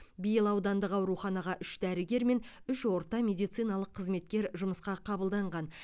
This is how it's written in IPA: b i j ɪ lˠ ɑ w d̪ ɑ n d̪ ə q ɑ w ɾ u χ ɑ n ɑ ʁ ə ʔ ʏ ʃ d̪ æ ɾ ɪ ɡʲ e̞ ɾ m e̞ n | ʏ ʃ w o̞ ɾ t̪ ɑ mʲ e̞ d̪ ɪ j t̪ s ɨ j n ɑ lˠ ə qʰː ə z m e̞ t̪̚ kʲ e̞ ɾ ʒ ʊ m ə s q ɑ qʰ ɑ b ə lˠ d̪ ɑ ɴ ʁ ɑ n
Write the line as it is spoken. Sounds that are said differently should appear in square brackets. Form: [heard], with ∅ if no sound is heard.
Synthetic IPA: b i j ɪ lˠ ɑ w d̪ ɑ n d̪ ə q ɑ w ɾ u χ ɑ n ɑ ʁ [ɑ] ʔ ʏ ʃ d̪ æ ɾ ɪ ɡʲ e̞ ɾ m e̞ n | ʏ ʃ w o̞ ɾ t̪ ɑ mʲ e̞ d̪ [i] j t̪ s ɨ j n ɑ lˠ ə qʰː ə z m e̞ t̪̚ kʲ e̞ ɾ ʒ ʊ m ə s q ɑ qʰ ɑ b ə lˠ d̪ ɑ ɴ ʁ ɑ n